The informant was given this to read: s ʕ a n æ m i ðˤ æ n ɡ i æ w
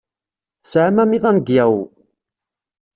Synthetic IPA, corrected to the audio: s ʕ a m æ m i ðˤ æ n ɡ j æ w